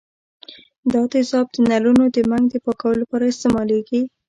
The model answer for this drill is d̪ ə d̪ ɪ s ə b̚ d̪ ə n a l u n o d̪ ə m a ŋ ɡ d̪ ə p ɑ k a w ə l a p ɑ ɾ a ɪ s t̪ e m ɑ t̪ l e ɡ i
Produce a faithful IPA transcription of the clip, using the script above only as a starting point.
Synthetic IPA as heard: d̪ ɑ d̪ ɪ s ɑ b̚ d̪ ə n a l u n o d̪ ə m a ŋ ɡ d̪ ə p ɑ k a w ə l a p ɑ ɾ a ɪ s t̪ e m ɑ l e ɡ i